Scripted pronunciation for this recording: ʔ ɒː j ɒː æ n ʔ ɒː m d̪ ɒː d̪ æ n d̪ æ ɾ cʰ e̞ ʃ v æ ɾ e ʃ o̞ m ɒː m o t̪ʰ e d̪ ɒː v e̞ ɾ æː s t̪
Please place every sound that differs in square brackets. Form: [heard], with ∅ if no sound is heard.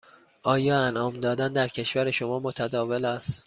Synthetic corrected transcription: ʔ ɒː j ɒː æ n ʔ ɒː m d̪ ɒː d̪ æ n d̪ æ ɾ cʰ e̞ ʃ v æ ɾ e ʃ o̞ m ɒː m o t̪ʰ [æ] d̪ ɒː v e̞ [l] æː s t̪

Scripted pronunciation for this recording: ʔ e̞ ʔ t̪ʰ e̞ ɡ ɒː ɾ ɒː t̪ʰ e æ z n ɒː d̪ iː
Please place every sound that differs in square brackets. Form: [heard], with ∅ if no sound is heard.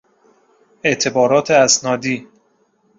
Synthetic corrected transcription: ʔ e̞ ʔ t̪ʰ e̞ [b] ɒː ɾ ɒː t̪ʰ e æ [s] n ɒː d̪ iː

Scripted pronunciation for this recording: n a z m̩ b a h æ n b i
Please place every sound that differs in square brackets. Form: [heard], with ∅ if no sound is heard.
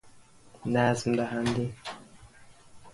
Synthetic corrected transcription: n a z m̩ [d] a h [a] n [d] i

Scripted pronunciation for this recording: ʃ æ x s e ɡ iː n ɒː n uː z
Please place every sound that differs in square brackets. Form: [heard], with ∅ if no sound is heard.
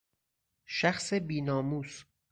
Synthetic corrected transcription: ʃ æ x s e [b] iː n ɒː [m] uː [s]

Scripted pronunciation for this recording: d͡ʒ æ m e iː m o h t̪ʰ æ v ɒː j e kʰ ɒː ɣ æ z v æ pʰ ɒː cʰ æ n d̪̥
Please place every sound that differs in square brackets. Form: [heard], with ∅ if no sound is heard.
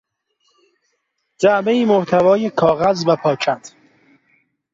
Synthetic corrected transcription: d͡ʒ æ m e iː m o h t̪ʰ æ v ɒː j e kʰ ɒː ɣ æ z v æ pʰ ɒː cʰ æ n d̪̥

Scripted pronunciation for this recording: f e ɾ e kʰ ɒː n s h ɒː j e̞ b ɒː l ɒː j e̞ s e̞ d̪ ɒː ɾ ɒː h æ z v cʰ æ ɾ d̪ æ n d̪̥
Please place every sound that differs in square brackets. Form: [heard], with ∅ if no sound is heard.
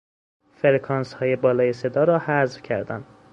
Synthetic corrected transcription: f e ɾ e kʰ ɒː n s h ɒː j e̞ b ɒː l ɒː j e̞ s e̞ d̪ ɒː ɾ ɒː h æ z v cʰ æ ɾ d̪ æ n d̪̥

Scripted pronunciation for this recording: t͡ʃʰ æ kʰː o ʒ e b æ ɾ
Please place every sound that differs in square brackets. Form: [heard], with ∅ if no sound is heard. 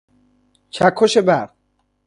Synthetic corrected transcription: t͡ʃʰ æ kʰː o [ʃ] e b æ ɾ

